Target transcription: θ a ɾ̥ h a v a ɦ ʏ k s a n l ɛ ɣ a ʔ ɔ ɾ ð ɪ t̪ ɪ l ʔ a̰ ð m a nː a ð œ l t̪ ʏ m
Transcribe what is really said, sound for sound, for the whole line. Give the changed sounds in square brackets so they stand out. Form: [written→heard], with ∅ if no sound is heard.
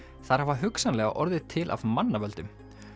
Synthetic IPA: θ a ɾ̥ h a v a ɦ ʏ k s a n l ɛ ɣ a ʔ ɔ ɾ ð ɪ [t̪→t̪ʰ] ɪ l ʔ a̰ [ð→v] m a nː a [ð→v] œ l t̪ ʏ m